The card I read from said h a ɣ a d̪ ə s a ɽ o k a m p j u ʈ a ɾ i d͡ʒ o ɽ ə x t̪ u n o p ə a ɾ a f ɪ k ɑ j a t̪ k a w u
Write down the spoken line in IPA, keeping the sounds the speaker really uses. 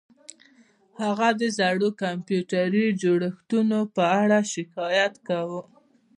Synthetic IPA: h a ɣ a d̪ ə z a ɽ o k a m p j u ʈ a ɾ i d͡ʒ o ɽ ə x t̪ u n o p ə a ɽ a ʃ ɪ k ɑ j a t̪ k a w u

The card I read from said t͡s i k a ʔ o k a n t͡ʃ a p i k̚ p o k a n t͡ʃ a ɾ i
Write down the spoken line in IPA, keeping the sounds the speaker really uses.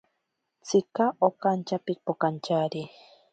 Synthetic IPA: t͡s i k a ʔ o k a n t͡ʃ a p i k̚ p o k a n t͡ʃ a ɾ i

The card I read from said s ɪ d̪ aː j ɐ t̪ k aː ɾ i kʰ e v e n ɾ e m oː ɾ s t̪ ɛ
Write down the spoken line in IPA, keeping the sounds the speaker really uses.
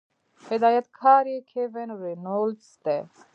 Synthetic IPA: h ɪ d̪ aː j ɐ t̪ kʰ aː ɾ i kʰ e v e n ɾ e n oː l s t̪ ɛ

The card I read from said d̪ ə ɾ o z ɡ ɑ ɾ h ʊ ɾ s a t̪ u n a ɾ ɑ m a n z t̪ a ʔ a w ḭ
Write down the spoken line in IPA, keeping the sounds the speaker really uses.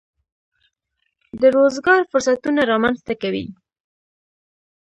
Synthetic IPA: d̪ ə ɾ o z ɡ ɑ ɾ f ʊ ɾ s a t̪ u n a ɾ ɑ m a n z t̪ a k a w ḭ

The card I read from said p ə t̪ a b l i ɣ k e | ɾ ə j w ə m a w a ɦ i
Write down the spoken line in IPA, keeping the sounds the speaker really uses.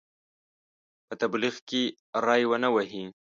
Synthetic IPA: p ə t̪ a b l i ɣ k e | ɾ ɑ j w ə n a w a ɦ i

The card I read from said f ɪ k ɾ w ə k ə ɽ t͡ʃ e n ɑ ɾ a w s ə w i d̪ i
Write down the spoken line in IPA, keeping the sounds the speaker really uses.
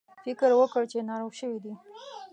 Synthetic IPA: f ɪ k ɾ w ə k ə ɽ t͡ʃ e n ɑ ɾ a w ʃ ə w i d̪ i

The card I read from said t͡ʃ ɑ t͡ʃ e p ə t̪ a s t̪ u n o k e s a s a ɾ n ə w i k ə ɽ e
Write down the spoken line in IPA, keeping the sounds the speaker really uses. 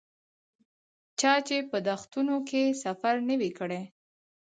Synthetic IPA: t͡ʃ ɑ t͡ʃ e p ə d̪ a x t̪ u n o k e s a f a ɾ n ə w i k ə ɽ e

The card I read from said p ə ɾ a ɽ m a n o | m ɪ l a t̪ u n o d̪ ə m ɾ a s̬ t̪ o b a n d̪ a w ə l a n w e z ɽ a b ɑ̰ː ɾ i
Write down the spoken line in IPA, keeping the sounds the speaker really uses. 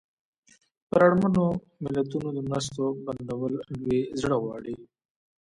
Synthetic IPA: p ə ɾ a ɽ m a n o | m ɪ l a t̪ u n o d̪ ə m ɾ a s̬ t̪ o b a n d̪ a w ə l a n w e z ɽ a w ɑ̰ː ɽ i

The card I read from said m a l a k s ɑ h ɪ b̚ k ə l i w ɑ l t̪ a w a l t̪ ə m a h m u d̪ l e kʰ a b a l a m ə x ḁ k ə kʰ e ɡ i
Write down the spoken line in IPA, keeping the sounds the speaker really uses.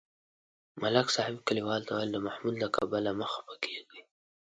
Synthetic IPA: m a l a k s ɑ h ɪ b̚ k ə l i w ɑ l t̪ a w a l d̪ ə m a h m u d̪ l a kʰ a b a l a m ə x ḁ p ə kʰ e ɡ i

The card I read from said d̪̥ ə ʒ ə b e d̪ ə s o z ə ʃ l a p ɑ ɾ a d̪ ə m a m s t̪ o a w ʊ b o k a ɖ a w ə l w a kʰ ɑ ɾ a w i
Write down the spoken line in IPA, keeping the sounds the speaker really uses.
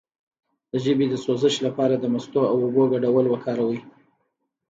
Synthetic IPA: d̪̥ ə ʒ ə b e d̪ ə s o z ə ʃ l a p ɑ ɾ a d̪ ə m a s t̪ o a w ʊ b o ɡ a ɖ a w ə l w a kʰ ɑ ɾ a w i

